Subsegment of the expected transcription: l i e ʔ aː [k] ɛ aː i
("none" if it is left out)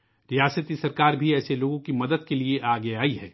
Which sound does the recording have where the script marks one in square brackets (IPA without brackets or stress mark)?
ɡ